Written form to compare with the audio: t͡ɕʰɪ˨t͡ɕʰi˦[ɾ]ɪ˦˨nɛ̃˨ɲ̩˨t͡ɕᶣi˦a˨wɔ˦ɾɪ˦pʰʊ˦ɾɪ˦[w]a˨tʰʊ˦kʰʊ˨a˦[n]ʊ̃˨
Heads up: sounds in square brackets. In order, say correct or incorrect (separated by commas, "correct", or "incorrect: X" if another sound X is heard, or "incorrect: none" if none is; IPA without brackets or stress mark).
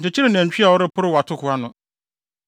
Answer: correct, correct, correct